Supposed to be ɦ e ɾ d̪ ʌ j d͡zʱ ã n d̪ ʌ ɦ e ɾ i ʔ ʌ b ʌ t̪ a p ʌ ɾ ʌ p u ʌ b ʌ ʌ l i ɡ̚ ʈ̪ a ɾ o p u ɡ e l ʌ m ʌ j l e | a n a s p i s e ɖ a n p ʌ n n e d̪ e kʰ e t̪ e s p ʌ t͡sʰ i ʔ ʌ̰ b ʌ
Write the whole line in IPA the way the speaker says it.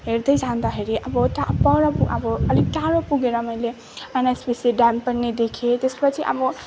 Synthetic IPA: ɦ e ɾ d̪ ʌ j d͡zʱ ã n d̪ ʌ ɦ e ɾ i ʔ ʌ b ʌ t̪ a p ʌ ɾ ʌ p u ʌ b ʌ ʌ l i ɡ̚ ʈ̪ a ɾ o p u ɡ e ɾ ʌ m ʌ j l e | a n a s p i s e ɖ a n p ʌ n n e d̪ e kʰ e t̪ e s p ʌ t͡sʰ i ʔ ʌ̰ b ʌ